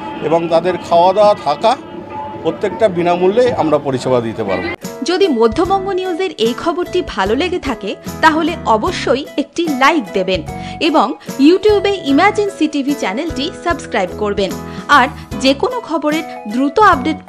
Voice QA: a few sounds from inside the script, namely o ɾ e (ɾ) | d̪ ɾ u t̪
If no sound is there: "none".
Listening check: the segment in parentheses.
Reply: ɾ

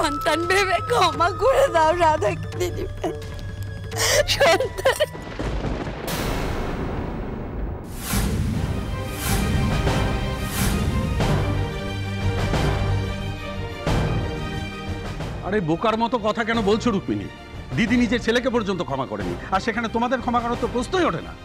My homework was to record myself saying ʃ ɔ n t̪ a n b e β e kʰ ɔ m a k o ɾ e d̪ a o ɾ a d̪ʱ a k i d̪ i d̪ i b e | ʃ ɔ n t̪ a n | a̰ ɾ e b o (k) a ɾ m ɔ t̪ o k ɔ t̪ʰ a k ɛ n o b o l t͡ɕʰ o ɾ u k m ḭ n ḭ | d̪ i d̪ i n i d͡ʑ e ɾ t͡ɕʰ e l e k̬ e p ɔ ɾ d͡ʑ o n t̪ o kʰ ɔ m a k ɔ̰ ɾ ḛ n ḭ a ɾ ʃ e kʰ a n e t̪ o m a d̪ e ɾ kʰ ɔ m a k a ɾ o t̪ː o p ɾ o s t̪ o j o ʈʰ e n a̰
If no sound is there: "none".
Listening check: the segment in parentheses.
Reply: k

